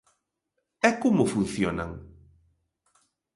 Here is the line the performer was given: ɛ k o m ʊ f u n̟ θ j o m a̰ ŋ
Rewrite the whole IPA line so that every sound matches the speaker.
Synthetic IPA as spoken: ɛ k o m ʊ f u n̟ θ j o n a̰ ŋ